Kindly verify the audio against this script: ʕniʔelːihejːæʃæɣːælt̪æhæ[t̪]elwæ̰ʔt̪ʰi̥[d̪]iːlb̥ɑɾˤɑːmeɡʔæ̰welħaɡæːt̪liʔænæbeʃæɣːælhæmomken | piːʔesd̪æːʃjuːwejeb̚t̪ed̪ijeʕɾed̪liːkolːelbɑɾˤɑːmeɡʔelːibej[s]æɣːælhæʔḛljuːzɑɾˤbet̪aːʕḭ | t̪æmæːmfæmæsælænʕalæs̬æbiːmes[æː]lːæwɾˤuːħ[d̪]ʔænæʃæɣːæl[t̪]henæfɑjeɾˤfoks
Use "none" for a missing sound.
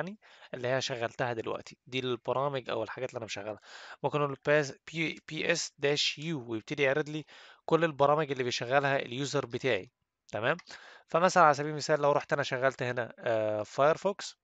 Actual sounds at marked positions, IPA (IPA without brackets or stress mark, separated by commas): d̪, d̪, ʃ, æː, t̪, t̪